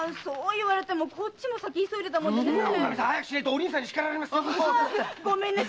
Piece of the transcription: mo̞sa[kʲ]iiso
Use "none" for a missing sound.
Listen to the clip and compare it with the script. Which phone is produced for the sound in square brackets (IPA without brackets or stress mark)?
kʲ